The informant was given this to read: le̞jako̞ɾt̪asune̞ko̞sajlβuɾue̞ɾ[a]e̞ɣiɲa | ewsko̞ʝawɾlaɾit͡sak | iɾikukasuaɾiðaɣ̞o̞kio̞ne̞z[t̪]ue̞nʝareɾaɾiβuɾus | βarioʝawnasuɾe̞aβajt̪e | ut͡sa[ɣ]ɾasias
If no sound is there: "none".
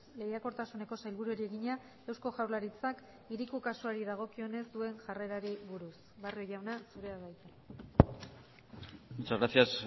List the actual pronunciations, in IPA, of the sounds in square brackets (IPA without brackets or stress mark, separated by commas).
i, d̪, ɣ